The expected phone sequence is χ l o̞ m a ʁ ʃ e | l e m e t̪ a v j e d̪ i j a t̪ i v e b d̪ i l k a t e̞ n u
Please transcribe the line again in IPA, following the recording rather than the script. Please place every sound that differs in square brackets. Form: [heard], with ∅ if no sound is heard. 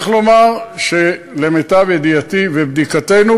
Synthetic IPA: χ l o̞ m a ʁ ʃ e | l e m e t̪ a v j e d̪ i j a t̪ i v e b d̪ i [∅] k a t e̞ n u